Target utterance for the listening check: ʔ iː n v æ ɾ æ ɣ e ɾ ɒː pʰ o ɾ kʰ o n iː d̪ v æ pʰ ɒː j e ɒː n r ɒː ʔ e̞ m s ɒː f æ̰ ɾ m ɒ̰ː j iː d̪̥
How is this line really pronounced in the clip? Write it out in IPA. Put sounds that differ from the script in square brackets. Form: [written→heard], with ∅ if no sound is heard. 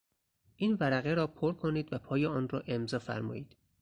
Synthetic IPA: ʔ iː n v æ ɾ æ ɣ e ɾ ɒː pʰ o ɾ kʰ o n iː d̪ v æ pʰ ɒː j e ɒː n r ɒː ʔ e̞ m [s→z] ɒː f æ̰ ɾ m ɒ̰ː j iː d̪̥